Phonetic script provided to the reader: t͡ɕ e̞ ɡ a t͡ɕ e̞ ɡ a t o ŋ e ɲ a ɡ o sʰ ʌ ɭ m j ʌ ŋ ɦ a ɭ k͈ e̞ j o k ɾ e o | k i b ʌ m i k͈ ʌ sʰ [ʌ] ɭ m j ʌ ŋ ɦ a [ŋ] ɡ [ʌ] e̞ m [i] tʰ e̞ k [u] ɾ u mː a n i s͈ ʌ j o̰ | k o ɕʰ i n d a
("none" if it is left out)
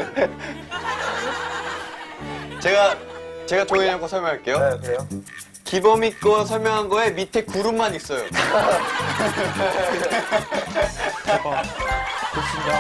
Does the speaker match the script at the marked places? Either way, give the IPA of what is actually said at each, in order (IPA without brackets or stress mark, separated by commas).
ʌ, n, ʌ, i, u